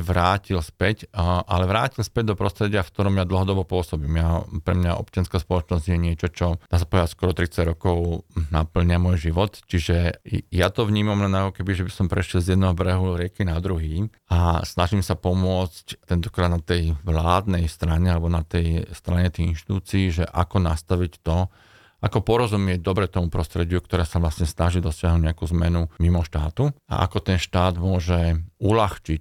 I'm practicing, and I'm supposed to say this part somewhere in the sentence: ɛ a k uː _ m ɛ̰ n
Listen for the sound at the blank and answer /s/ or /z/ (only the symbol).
z